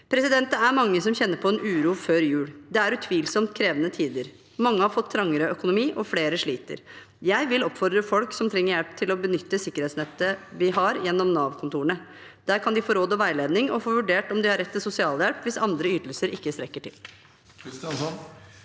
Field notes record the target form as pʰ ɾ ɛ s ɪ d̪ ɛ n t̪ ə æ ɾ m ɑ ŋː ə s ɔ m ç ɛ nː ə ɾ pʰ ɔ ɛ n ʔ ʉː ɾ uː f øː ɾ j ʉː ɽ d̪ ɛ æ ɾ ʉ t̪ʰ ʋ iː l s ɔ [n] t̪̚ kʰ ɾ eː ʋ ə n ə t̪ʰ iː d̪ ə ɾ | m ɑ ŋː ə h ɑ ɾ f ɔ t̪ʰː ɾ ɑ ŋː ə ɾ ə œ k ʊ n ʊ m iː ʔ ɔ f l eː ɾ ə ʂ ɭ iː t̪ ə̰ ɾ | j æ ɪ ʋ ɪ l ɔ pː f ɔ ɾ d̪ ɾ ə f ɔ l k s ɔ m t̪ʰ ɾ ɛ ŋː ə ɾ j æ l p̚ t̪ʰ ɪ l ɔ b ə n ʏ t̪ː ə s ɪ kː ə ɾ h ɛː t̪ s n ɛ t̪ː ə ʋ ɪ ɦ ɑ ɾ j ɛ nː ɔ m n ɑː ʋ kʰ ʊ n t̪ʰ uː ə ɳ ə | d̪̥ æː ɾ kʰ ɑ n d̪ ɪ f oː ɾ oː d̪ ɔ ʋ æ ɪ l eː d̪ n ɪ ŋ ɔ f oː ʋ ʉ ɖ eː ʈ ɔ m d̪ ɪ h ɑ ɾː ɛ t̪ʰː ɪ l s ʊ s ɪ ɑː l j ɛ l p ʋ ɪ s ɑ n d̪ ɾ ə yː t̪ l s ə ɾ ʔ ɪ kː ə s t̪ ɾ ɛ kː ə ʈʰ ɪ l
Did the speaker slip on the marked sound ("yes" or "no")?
yes